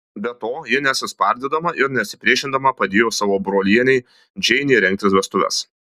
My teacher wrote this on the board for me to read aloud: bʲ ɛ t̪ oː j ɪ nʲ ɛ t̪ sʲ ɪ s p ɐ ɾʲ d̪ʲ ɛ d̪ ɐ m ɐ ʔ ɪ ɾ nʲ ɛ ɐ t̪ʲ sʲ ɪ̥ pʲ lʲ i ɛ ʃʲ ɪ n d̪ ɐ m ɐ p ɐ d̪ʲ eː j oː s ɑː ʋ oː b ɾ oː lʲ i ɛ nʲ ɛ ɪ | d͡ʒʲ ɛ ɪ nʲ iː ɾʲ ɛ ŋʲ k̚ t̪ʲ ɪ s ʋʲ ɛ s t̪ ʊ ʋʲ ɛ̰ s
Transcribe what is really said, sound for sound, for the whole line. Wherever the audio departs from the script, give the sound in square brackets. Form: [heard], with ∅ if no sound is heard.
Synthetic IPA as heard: bʲ ɛ t̪ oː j ɪ nʲ ɛ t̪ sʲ ɪ s p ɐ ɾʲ d̪ʲ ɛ d̪ ɐ m ɐ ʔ ɪ ɾ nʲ ɛ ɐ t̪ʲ sʲ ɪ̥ pʲ [ɾʲ] i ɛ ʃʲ ɪ n d̪ ɐ m ɐ p ɐ d̪ʲ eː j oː s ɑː ʋ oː b ɾ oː lʲ i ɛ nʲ ɛ ɪ | d͡ʒʲ ɛ ɪ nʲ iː ɾʲ ɛ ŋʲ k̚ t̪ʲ ɪ s ʋʲ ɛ s t̪ ʊ ʋʲ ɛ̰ s